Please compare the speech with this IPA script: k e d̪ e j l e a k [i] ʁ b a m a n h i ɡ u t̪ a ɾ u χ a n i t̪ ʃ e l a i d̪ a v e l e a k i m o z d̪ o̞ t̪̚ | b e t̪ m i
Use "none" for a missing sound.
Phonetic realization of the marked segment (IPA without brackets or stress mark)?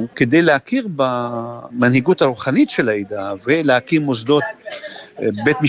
i